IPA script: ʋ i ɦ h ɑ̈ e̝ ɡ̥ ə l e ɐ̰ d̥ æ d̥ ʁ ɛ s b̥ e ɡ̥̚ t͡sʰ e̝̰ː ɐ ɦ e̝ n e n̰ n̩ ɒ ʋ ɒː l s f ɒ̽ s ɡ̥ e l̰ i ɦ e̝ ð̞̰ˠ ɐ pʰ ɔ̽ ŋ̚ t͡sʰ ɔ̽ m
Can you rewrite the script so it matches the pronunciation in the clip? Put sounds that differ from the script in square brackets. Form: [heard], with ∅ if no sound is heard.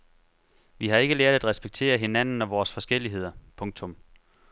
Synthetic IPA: ʋ i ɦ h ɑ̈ e̝ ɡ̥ ə l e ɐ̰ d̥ æ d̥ ʁ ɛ s b̥ e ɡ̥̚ t͡sʰ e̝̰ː ɐ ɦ e̝ n [æ] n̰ n̩ ɒ ʋ ɒː [∅] s f ɒ̽ s ɡ̥ e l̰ i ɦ e̝ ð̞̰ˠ ɐ pʰ ɔ̽ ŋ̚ t͡sʰ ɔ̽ m